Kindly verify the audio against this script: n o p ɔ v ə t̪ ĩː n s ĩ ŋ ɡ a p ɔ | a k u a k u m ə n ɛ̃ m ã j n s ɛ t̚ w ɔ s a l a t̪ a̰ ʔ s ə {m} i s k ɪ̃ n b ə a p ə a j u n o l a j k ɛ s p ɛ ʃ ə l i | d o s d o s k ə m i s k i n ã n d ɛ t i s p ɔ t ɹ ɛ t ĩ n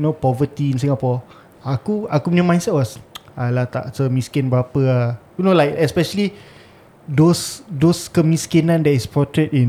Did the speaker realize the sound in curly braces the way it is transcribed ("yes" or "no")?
yes